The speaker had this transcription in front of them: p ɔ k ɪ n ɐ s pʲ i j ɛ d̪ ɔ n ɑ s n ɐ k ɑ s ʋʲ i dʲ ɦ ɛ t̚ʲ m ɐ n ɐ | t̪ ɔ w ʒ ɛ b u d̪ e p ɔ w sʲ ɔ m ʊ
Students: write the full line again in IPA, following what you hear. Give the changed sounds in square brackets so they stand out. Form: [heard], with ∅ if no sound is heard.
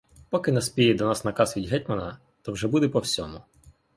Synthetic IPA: p ɔ k ɪ n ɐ s pʲ i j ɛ d̪ ɔ n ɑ s n ɐ k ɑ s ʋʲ i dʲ ɦ ɛ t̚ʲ m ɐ n ɐ | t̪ ɔ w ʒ ɛ b u d̪ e p ɔ w sʲ ɔ m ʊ